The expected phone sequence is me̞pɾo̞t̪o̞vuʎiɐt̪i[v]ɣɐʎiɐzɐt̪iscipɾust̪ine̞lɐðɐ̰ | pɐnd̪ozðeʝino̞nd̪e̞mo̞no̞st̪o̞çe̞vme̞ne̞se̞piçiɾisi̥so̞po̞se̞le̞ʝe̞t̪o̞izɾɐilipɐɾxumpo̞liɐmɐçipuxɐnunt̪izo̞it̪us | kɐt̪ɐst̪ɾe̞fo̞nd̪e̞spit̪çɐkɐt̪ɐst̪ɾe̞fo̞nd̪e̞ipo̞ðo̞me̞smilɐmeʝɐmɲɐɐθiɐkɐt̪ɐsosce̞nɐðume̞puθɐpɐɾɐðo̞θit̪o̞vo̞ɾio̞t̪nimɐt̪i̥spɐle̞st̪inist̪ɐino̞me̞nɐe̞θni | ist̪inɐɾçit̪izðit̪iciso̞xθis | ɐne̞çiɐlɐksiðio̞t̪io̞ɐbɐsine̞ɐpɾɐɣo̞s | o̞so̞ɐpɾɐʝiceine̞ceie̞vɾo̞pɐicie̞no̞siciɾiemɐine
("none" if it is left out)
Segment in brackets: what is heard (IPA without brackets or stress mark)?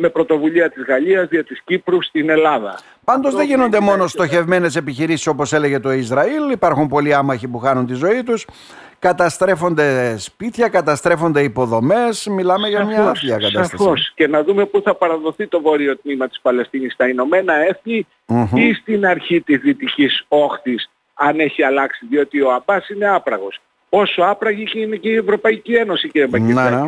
z